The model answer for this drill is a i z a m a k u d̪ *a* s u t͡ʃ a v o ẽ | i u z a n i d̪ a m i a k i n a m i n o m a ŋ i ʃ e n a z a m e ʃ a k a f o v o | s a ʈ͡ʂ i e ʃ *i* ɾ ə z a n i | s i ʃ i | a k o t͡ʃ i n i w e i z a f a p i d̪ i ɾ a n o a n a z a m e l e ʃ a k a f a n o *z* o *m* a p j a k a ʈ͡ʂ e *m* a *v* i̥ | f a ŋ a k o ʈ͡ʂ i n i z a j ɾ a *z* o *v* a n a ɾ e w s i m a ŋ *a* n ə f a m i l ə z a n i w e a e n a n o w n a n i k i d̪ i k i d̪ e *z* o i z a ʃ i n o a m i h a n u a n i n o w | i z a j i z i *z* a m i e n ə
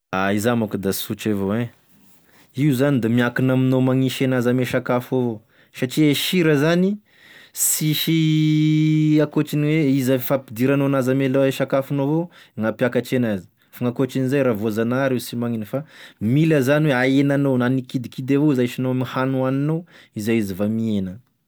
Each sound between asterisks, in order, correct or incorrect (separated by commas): correct, correct, incorrect, incorrect, incorrect, incorrect, incorrect, incorrect, incorrect, incorrect, incorrect